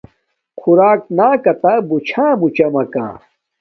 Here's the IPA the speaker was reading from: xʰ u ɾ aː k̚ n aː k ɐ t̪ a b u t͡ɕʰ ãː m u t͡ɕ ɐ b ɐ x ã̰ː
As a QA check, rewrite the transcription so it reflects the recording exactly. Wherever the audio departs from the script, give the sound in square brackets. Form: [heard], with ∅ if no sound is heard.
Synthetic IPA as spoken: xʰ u ɾ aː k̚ n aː k ɐ t̪ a b u t͡ɕʰ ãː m u t͡ɕ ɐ [m] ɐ [k] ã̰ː